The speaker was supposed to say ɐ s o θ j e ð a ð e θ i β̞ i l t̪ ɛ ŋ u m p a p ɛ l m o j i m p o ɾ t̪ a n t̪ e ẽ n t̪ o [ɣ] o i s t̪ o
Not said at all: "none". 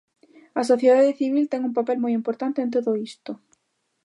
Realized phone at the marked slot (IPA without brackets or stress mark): ð